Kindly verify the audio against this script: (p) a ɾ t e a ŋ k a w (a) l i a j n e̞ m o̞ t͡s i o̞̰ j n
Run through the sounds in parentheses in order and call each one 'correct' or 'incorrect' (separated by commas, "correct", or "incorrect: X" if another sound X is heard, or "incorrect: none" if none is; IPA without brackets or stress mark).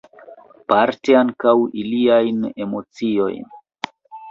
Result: correct, incorrect: i